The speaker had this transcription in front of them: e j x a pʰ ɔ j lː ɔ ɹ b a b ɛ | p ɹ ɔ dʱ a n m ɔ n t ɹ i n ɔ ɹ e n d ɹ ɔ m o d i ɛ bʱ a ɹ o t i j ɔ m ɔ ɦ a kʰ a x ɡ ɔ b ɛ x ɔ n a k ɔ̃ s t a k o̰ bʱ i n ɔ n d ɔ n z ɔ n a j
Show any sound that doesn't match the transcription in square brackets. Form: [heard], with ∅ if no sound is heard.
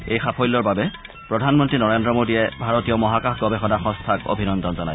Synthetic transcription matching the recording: e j x a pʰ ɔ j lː ɔ ɹ b a b ɛ | p ɹ ɔ dʱ a n m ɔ n t ɹ i n ɔ ɹ e n d ɹ ɔ m o d i ɛ bʱ a ɹ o t i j ɔ m ɔ ɦ a [k] a x ɡ ɔ b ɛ x ɔ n a [x] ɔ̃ s [tʰ] a k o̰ bʱ i n ɔ n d ɔ n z ɔ n a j